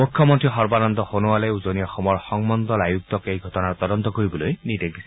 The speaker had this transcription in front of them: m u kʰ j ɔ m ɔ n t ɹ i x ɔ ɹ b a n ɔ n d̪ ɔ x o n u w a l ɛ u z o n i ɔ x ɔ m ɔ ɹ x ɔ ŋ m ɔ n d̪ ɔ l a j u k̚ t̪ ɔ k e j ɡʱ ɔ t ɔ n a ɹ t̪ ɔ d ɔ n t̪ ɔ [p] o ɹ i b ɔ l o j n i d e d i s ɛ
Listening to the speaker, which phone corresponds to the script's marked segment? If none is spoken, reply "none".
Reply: k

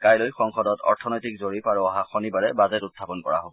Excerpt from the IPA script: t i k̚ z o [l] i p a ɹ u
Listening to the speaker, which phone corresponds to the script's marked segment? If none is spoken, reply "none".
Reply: ɹ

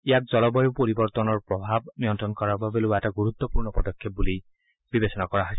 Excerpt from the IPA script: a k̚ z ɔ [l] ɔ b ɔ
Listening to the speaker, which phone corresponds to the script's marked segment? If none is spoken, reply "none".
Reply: l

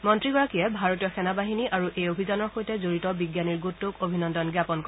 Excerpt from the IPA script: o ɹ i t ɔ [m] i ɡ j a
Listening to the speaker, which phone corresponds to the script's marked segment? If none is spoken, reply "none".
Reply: b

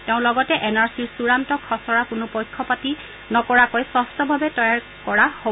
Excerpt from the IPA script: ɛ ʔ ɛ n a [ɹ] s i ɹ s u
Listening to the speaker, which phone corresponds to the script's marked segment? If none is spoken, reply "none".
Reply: ɹ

